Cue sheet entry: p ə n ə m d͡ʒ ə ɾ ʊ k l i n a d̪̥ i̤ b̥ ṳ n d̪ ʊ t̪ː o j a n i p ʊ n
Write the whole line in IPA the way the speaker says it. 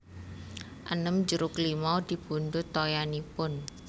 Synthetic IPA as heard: ʔ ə n ə m d͡ʒ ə ɾ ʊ k l i m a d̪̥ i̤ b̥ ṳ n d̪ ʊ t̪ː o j a n i p ʊ n